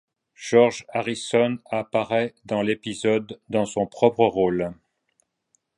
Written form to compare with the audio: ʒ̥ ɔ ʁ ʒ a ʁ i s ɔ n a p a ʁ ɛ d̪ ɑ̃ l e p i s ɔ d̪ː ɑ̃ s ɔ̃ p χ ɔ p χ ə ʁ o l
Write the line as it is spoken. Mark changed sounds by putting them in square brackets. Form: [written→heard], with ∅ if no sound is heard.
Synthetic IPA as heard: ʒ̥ ɔ ʁ ʒ a ʁ i s ɔ n a p a ʁ ɛ d̪ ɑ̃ l e p i [s→z] ɔ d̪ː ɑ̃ s ɔ̃ p χ ɔ p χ ə ʁ o l